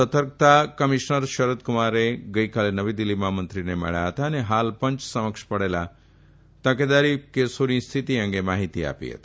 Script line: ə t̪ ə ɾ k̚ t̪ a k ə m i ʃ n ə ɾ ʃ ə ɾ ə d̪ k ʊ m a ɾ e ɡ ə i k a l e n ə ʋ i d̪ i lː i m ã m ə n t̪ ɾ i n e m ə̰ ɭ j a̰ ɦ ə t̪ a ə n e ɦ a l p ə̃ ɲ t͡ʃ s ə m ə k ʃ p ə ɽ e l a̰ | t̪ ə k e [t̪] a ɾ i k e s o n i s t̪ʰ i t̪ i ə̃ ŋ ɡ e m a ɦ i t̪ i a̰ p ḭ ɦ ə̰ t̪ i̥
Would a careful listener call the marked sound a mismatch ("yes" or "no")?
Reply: yes